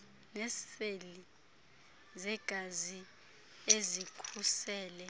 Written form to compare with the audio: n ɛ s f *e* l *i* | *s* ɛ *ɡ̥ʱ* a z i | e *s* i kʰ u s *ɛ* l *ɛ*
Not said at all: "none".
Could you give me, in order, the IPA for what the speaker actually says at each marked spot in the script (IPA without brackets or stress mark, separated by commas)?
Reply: e, i, z, ɡ̥ʱ, z, ɛː, ɛ